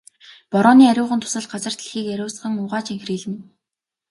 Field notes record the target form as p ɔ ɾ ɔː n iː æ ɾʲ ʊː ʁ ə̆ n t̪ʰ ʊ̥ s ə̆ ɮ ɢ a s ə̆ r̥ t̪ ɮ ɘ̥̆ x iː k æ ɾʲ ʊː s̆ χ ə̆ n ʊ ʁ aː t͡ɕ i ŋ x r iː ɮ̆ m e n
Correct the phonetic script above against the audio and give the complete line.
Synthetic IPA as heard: p ɔ ɾ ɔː n iː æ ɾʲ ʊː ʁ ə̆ n t̪ʰ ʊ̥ s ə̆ ɮ ɢ a t͡s ə̆ r̥ t̪ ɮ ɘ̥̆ x iː k æ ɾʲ ʊː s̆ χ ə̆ ŋ ʊ ʁ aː t͡ɕ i ŋ x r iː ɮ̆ m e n